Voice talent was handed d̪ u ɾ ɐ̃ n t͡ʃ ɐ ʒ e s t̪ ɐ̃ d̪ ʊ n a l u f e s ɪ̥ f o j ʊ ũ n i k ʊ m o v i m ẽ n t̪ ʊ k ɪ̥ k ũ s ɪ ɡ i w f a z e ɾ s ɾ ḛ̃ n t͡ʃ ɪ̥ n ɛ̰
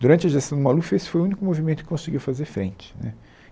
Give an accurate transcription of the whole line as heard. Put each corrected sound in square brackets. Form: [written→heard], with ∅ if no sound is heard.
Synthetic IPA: d̪ u ɾ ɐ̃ n t͡ʃ ɐ ʒ e s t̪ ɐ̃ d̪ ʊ [n→m] a l u f e s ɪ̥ f o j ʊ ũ n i k ʊ m o v i m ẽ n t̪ ʊ k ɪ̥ k [ũ→õ] s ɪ ɡ i w f a z e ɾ [s→f] ɾ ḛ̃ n t͡ʃ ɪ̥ n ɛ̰